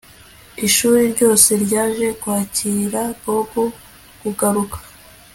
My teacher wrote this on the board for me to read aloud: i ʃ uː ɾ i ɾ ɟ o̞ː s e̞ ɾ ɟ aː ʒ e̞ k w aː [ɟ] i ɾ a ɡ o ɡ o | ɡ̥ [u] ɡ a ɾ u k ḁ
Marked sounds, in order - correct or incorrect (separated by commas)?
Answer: incorrect, correct